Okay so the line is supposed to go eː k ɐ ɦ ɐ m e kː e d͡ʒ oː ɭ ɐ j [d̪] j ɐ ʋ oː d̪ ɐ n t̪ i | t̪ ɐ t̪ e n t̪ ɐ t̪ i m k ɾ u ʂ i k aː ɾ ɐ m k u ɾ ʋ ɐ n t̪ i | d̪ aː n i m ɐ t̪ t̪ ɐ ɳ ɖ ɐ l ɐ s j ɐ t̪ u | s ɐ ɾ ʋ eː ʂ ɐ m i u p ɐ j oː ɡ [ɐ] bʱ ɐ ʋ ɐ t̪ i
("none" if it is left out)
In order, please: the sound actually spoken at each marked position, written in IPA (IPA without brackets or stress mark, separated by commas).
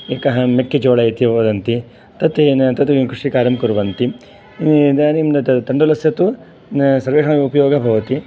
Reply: t̪, ɐ